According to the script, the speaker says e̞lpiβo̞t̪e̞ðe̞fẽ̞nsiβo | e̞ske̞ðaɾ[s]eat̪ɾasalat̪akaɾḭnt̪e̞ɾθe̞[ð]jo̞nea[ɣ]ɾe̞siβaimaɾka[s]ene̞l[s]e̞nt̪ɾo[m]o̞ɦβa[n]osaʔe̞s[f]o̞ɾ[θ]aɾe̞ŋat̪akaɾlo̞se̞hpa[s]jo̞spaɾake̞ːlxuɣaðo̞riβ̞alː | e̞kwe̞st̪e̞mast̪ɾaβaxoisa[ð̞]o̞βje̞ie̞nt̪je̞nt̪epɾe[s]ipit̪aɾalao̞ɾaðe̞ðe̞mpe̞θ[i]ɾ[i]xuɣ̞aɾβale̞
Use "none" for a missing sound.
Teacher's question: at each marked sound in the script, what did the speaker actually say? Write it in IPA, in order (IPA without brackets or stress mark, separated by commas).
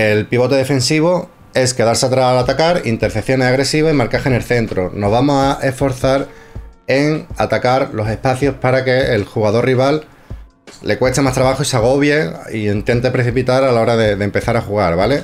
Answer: s, θ, ɣ, x, θ, n, m, f, θ, θ, ɣ̞, θ, a, a